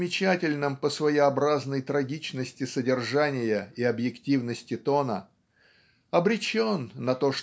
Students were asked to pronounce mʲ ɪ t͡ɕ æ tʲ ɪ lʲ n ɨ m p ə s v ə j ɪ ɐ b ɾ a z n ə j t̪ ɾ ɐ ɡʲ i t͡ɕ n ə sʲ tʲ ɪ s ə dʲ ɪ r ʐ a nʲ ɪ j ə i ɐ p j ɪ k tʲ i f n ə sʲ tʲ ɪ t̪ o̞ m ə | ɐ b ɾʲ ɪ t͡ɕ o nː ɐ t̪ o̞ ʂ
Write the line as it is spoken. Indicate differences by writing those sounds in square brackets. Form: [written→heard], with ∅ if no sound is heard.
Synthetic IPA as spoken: mʲ ɪ t͡ɕ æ tʲ ɪ lʲ n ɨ m p ə s v ə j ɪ ɐ b ɾ a z n ə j t̪ ɾ ɐ ɡʲ i t͡ɕ n ə sʲ tʲ ɪ s ə dʲ ɪ r ʐ a nʲ ɪ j ə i ɐ [p→b] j ɪ k tʲ i [f→v] n ə sʲ tʲ ɪ t̪ o̞ [m→n] ə | ɐ b ɾʲ ɪ t͡ɕ o nː ɐ t̪ o̞ ʂ